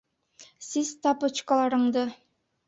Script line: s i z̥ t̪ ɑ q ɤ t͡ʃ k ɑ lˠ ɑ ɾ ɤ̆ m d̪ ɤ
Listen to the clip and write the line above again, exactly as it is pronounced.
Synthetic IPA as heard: s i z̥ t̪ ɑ p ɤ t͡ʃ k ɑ lˠ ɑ ɾ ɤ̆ ɴ d̪ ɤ